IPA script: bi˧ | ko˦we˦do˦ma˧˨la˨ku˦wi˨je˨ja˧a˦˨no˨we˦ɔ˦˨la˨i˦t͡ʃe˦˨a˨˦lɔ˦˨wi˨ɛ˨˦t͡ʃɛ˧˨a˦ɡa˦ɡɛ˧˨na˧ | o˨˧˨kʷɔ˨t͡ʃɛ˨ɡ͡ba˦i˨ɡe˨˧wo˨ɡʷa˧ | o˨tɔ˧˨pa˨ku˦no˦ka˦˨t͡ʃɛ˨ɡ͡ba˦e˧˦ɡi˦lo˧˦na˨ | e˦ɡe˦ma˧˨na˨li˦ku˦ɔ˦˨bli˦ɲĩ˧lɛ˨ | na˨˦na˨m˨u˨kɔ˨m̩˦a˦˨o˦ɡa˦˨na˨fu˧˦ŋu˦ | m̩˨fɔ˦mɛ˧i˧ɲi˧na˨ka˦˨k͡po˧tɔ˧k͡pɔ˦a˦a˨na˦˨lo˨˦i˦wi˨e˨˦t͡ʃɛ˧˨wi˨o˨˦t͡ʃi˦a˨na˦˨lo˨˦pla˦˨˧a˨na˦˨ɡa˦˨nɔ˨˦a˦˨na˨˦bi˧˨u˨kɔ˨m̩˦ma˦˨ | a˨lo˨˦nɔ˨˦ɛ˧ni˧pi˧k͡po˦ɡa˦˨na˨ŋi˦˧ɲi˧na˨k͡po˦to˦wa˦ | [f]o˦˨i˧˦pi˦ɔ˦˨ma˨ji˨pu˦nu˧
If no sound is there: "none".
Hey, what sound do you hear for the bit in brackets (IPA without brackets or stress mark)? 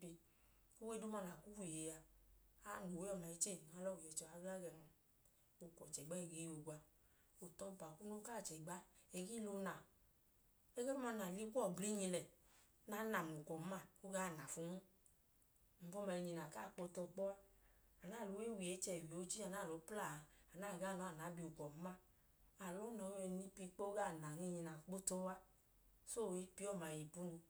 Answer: s